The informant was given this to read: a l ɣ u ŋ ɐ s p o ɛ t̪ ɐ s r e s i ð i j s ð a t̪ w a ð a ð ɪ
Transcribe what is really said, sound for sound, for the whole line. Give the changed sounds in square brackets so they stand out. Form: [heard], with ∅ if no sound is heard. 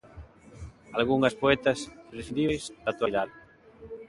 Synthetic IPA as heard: a l ɣ u ŋ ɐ s p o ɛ t̪ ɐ s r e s i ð i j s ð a t̪ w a ð a ð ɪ